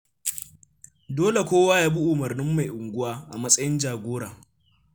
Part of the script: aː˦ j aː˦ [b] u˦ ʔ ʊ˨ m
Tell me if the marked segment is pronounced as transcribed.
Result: yes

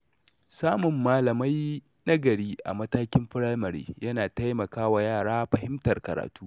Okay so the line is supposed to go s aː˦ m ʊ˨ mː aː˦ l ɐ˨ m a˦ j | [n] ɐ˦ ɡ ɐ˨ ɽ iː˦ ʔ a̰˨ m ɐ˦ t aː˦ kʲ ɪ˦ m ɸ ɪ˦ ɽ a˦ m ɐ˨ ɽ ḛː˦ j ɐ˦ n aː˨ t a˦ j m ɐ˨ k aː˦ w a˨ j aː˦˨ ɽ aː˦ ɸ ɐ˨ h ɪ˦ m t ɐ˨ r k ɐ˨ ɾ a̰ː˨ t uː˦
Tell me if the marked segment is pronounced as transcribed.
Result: yes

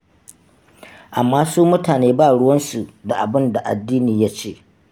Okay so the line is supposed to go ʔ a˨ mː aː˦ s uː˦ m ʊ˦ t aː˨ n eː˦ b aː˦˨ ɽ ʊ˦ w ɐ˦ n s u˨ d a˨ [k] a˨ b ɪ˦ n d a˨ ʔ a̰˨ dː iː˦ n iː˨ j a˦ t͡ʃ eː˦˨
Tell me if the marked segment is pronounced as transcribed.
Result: no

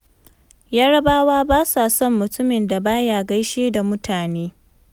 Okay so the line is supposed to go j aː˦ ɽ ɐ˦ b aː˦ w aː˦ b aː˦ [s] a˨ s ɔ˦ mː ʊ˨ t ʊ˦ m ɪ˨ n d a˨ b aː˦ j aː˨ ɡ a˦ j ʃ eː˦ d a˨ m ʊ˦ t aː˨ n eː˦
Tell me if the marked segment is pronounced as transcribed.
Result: yes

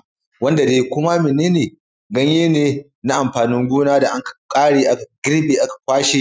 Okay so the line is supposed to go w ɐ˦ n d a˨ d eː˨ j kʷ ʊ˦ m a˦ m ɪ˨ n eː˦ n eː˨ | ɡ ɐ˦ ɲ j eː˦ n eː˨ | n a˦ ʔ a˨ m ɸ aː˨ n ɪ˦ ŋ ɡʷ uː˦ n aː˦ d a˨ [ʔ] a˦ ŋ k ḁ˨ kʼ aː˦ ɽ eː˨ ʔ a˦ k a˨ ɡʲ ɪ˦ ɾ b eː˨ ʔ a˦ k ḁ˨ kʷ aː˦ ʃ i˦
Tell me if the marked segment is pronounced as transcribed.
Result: yes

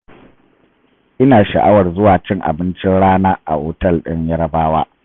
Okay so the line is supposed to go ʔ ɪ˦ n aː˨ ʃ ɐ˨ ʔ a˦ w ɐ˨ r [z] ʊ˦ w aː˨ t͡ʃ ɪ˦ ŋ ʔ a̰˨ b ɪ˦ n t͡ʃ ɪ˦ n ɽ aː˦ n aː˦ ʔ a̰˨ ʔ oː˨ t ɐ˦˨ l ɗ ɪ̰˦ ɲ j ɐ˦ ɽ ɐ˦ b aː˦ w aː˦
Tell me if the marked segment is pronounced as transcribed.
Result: yes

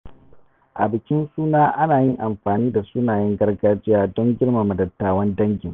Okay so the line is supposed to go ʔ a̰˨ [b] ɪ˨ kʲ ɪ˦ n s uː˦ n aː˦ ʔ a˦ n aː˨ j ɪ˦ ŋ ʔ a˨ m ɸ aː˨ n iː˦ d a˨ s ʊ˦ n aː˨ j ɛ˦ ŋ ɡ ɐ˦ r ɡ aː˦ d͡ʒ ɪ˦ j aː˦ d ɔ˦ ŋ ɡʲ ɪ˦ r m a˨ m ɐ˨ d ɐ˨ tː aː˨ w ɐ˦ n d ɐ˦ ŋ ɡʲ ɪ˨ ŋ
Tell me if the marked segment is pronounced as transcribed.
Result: yes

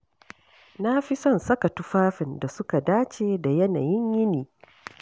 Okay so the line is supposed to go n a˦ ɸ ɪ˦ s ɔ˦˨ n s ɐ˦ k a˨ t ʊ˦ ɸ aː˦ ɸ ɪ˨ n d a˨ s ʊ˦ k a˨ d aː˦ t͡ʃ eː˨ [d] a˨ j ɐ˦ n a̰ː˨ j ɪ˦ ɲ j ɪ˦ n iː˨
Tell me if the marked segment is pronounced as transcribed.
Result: yes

